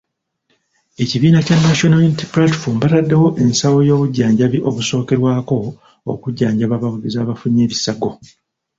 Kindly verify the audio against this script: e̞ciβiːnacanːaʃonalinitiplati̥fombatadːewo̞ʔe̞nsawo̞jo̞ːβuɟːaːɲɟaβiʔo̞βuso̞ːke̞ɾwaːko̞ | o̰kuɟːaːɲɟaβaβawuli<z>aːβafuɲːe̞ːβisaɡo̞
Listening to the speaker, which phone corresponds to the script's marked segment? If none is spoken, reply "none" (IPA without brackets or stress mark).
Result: z